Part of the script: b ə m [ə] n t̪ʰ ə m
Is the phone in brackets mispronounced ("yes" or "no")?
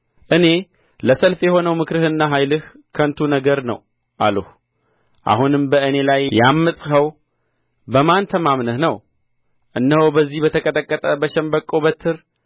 yes